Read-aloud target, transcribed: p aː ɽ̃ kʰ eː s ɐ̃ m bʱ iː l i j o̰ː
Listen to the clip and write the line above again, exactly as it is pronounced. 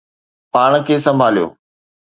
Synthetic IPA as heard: p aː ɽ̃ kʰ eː s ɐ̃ m bʱ aː l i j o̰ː

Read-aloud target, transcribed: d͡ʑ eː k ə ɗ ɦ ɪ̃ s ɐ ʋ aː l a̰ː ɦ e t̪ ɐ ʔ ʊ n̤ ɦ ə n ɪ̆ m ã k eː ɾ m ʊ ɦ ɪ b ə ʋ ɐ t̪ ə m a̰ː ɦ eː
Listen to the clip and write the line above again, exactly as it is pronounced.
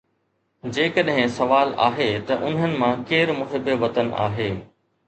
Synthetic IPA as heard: d͡ʑ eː k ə ɗ ɦ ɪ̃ s ɐ ʋ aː l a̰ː ɦ e t̪ ɐ ʔ ʊ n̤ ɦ ə n ɪ̆ m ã k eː ɾ m ʊ ɦ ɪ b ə ʋ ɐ t̪ ə n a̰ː ɦ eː

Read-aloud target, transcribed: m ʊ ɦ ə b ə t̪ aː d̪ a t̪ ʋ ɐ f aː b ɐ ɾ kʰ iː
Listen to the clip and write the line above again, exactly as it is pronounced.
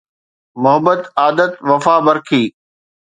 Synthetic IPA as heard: m ʊ ɦ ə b ə t̪ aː d̪ ə t̪ ʋ ɐ f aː b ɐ ɾ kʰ iː

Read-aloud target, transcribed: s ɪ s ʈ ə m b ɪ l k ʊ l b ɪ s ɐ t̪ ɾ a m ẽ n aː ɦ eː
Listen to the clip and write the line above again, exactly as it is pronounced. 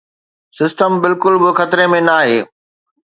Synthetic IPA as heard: s ɪ s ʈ ə m b ɪ l k ʊ l b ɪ x ɐ t̪ ɾ e m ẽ n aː ɦ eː

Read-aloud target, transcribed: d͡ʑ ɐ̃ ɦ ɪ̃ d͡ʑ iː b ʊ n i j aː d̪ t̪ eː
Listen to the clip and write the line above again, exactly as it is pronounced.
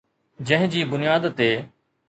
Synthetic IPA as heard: d͡ʑ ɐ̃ ɦ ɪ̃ d͡ʑ iː b ʊ n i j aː d̪ t̪ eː

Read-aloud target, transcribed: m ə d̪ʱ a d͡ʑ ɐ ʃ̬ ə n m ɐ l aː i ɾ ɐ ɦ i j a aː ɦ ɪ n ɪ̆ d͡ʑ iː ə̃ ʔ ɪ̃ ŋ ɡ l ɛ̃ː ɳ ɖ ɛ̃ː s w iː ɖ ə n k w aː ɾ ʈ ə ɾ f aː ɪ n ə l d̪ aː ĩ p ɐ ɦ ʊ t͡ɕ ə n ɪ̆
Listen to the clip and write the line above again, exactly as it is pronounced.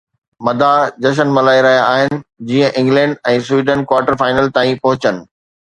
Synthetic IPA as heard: m ɐ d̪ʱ a d͡ʑ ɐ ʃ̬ ə n m ɐ l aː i ɾ ɐ ɦ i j a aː ɦ ɪ n ɪ̆ d͡ʑ iː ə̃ ʔ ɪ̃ ŋ ɡ l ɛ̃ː ɳ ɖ ɛ̃ː s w iː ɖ ə n k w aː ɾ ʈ ə ɾ f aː ɪ n ə l t̪ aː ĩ p ɐ ɦ ʊ t͡ɕ ə n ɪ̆

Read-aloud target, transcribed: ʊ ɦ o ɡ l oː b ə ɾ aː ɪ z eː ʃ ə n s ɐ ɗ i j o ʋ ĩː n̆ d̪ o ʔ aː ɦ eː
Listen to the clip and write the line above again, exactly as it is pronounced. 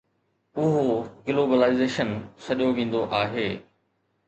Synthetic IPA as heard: ʊ ɦ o ɡ l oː b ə l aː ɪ z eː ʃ ə n s ɐ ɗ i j o ʋ ĩː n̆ d̪ o ʔ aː ɦ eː

